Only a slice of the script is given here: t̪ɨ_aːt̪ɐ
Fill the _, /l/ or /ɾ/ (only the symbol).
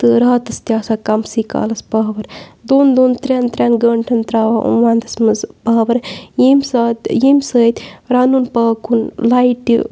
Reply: ɾ